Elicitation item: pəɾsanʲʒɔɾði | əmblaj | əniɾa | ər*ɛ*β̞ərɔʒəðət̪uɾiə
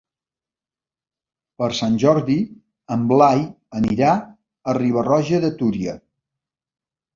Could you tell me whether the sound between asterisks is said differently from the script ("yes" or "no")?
yes